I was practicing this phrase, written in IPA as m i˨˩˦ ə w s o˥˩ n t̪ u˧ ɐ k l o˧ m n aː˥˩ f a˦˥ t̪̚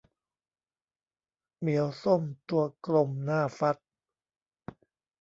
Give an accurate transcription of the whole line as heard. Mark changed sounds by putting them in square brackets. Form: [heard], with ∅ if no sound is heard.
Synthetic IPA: m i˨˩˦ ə w s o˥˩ [m] t̪ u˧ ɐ k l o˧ m n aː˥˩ f a˦˥ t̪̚